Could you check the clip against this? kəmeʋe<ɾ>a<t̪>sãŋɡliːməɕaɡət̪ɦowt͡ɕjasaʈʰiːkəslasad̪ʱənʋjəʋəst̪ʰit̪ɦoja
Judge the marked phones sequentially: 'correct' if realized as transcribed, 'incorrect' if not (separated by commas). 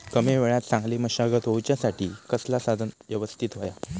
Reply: incorrect, correct